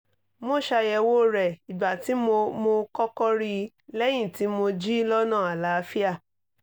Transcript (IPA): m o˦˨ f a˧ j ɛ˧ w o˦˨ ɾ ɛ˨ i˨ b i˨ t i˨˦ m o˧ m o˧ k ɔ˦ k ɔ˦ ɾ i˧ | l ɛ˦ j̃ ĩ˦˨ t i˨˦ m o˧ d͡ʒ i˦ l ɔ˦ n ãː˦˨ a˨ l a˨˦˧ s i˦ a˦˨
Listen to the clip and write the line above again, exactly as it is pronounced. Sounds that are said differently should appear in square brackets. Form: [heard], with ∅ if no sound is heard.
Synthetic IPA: m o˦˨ [ʃ] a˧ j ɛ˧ w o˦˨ ɾ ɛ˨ i˨ b [a˨] t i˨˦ m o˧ m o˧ k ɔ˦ k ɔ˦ ɾ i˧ | l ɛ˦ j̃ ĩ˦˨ t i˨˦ m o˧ d͡ʒ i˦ l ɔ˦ n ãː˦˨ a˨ l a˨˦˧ [f] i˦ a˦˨